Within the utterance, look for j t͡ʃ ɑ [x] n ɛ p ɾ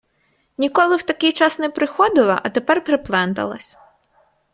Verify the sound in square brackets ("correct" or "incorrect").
incorrect